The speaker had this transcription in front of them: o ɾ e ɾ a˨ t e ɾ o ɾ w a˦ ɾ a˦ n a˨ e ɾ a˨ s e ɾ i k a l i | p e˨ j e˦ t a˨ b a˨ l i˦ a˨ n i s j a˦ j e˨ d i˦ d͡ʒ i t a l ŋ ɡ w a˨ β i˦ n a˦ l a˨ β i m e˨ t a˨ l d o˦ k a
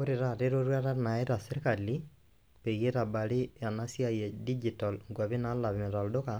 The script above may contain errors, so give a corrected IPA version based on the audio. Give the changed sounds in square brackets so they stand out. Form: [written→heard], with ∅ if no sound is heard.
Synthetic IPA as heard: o ɾ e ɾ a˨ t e ɾ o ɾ w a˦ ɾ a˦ n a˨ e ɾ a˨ s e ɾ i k a l i | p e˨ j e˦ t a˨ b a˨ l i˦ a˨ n [i→a] s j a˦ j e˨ d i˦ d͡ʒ i t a l ŋ ɡ w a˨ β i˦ n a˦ l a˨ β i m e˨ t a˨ l d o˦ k a